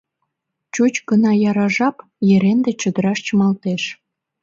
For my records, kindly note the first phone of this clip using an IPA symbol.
t͡ɕ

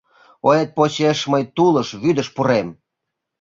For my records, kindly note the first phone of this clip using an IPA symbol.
o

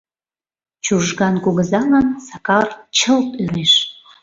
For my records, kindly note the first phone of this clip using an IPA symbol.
t͡ɕ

